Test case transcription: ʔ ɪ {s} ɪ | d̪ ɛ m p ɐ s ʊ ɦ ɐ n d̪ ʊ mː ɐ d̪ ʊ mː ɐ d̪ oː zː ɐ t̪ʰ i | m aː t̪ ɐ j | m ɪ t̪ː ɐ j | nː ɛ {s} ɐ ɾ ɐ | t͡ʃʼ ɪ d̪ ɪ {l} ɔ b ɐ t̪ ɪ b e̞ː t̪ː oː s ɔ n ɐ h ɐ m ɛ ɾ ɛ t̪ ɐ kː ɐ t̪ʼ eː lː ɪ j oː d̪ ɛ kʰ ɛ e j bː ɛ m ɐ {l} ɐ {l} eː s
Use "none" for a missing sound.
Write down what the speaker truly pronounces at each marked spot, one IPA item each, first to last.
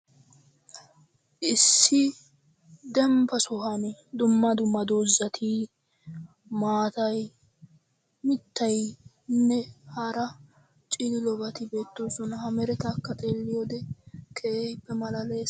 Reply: sː, h, l, l, l

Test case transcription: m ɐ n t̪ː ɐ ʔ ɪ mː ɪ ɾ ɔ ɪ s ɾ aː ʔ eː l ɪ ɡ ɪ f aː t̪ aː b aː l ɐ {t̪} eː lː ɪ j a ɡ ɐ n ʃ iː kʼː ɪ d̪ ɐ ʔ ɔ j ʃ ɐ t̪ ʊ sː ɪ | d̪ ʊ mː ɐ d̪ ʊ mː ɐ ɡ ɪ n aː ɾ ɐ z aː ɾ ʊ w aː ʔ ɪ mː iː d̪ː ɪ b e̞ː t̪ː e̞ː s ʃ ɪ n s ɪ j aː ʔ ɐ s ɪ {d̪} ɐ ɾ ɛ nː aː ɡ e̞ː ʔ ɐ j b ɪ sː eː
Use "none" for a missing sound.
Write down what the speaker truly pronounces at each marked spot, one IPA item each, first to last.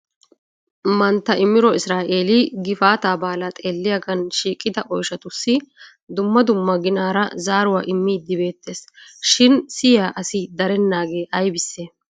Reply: t̪ʼ, d̪

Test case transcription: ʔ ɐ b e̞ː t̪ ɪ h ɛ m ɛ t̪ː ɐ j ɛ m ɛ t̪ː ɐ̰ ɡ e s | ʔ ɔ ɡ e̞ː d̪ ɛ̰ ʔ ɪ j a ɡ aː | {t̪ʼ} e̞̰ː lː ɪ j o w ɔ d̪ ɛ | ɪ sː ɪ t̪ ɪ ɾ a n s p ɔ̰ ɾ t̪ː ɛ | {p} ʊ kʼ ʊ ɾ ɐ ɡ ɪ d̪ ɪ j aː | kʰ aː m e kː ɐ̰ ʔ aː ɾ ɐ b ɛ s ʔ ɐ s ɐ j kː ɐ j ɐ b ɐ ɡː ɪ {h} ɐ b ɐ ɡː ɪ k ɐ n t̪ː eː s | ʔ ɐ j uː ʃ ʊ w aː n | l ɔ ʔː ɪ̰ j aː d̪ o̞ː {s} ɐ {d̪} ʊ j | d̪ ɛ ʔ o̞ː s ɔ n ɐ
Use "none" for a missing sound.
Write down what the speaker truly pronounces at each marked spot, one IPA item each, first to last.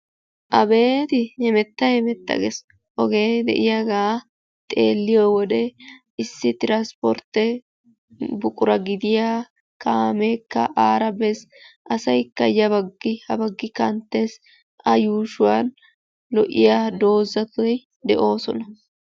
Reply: t̪ʼ, b, h, z, t̪

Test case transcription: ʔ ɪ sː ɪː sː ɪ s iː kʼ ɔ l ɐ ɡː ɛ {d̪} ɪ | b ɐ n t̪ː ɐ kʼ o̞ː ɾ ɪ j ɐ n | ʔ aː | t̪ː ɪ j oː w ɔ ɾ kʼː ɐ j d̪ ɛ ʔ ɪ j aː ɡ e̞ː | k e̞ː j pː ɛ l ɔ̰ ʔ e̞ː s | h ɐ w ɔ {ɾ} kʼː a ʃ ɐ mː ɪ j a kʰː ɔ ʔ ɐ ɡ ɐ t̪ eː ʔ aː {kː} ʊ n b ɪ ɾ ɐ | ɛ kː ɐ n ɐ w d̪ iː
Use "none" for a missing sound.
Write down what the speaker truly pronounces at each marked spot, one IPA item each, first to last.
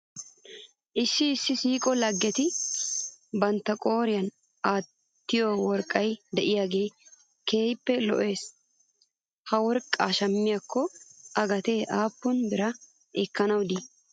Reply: t̪, ɾ, pː

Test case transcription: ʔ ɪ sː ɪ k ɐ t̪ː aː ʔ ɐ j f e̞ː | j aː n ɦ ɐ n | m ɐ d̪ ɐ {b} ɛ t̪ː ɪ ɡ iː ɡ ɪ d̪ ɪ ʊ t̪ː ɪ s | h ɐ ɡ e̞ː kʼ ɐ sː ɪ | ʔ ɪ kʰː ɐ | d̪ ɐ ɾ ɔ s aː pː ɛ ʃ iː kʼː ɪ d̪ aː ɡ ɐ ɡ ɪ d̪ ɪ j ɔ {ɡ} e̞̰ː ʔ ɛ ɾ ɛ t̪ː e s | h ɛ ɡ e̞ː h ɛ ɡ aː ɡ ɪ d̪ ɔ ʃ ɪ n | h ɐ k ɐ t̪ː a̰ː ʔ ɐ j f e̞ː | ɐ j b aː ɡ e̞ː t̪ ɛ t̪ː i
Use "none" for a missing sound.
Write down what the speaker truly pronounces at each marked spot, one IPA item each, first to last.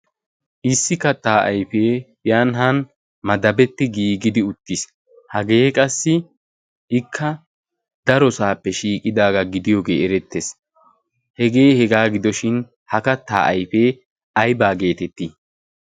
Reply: b, ɡ

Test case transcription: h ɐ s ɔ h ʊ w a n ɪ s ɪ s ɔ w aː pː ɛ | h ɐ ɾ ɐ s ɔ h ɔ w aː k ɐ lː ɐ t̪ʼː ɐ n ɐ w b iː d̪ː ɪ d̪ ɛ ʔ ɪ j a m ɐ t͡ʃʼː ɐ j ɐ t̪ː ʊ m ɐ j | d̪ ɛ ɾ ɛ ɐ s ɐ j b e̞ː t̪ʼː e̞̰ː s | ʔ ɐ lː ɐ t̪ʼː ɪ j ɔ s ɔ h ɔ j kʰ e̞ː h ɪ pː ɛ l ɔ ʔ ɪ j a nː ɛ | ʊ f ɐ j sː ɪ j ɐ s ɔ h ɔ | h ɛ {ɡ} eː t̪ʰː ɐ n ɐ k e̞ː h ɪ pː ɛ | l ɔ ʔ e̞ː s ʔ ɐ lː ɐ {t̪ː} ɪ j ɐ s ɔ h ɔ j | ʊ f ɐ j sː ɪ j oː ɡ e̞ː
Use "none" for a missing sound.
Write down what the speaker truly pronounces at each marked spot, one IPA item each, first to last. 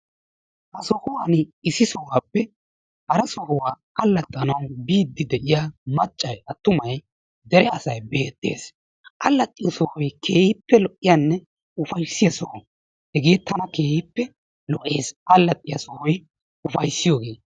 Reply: ɡ, t̪ʼː

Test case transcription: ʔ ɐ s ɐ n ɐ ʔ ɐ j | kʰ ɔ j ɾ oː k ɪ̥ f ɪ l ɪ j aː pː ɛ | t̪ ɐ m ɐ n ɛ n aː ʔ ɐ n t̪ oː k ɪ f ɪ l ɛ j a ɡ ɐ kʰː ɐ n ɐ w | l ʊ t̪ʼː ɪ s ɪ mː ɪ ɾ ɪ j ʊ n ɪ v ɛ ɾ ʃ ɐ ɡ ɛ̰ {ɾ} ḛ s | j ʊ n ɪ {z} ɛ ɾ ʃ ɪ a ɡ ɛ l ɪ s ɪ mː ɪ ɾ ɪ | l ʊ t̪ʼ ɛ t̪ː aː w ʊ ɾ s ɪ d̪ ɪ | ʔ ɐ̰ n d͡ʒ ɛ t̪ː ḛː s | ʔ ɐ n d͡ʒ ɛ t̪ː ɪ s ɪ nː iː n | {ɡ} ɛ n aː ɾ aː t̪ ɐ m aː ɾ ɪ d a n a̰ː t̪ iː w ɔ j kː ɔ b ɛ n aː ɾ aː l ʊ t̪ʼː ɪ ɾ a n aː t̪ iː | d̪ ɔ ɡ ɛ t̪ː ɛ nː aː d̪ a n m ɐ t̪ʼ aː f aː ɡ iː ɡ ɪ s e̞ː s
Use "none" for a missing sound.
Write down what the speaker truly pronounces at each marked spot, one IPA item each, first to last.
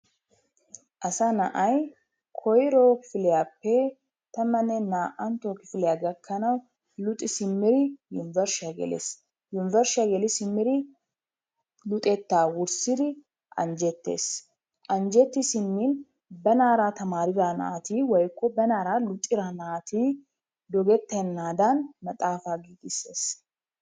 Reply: l, v, b

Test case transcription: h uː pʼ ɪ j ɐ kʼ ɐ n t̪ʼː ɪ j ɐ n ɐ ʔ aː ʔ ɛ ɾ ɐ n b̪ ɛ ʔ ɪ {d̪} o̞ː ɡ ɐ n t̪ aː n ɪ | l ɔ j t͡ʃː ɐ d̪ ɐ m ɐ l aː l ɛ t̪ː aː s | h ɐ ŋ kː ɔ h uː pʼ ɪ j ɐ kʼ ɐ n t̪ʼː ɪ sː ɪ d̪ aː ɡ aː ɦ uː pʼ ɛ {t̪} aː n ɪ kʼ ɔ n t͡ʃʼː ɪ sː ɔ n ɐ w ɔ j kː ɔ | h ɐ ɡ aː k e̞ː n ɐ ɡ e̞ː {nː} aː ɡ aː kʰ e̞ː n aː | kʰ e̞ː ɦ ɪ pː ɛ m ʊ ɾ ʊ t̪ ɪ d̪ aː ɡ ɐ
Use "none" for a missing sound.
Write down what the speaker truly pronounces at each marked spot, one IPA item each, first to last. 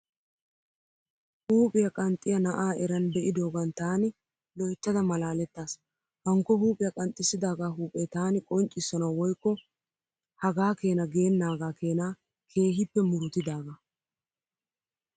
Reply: d̪, t̪, nː

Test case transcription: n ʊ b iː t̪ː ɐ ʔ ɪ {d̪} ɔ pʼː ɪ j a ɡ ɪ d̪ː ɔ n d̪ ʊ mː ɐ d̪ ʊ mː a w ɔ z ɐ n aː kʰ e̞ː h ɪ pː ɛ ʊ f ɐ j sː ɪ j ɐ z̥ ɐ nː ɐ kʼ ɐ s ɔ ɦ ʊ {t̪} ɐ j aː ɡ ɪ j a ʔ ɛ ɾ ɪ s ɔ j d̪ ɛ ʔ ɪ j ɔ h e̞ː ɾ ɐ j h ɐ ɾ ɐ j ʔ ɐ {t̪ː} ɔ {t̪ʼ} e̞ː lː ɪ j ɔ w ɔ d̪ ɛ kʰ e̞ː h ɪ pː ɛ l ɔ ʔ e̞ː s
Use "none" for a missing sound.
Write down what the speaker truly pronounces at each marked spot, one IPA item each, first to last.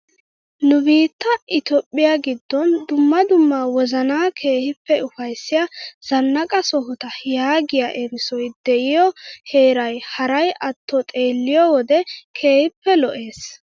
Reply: t̪, t̪, t̪ː, t̪ʼ

